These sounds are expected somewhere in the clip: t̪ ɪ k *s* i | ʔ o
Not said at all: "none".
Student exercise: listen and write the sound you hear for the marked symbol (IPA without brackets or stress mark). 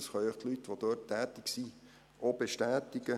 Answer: s